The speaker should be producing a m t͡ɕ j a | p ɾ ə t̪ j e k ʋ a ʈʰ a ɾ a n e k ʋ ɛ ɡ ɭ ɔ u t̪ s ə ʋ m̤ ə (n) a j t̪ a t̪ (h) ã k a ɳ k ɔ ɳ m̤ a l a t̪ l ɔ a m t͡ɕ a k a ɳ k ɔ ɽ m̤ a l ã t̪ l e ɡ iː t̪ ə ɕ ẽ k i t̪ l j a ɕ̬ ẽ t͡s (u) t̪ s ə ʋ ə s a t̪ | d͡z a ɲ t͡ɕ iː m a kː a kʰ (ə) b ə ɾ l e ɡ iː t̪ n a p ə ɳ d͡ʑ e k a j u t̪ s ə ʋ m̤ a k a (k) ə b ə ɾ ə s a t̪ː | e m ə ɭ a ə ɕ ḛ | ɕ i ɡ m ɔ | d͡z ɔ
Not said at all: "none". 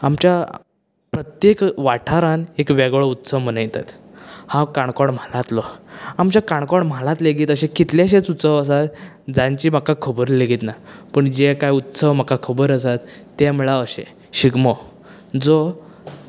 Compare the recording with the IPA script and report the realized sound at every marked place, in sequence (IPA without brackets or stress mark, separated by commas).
n, h, u, ə, kʰ